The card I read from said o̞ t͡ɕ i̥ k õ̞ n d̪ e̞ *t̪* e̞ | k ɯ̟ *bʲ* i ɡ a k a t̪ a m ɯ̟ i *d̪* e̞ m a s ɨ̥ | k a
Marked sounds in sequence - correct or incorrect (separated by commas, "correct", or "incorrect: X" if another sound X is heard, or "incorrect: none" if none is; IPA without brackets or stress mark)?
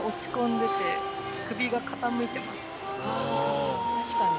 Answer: correct, correct, incorrect: t̪